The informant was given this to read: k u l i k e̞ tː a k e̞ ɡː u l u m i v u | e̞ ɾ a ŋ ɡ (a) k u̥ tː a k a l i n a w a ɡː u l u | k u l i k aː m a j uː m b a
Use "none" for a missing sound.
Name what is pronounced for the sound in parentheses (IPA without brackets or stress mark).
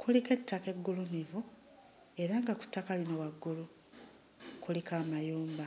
a